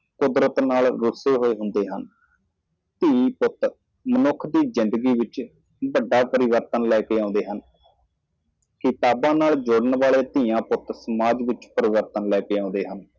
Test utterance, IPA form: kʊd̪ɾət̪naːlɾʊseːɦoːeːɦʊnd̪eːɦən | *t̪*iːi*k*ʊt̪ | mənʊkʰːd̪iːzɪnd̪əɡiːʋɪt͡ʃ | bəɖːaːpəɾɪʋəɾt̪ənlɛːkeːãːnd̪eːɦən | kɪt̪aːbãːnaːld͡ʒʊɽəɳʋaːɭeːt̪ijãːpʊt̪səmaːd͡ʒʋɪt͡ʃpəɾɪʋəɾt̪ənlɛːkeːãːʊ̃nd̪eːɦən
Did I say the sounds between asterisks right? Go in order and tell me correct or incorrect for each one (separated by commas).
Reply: correct, incorrect